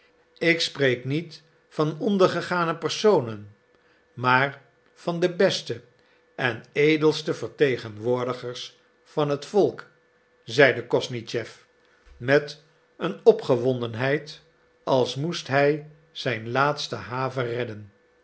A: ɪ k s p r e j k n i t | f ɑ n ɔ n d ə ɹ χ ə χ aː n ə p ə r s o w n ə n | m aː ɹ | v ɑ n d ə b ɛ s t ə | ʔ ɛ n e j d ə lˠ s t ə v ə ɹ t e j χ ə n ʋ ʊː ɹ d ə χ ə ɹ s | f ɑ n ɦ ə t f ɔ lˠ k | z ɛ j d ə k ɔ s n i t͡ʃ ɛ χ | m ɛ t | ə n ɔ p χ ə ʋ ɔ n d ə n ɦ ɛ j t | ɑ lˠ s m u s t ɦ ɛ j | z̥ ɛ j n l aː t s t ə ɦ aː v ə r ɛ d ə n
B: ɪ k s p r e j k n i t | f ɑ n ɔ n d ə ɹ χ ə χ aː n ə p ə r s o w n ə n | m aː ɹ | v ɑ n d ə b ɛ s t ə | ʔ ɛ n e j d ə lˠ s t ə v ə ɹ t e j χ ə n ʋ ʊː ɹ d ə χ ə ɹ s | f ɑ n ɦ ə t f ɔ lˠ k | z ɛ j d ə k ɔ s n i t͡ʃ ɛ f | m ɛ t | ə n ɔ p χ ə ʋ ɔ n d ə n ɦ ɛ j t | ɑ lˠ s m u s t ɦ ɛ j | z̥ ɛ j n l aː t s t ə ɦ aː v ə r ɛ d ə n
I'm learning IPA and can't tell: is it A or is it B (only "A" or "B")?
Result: B